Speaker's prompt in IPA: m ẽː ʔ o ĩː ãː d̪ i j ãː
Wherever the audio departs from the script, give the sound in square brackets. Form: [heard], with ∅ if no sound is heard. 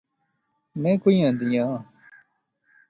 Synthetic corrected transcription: m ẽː [k] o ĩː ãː d̪ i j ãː